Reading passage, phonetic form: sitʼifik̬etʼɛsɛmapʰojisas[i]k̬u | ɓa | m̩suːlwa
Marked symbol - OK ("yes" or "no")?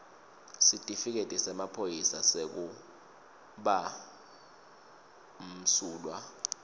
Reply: no